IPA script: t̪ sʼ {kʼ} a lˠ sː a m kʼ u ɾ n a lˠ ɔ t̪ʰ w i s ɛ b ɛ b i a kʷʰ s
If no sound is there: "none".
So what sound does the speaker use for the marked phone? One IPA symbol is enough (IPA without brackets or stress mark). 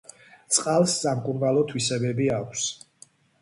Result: qʼ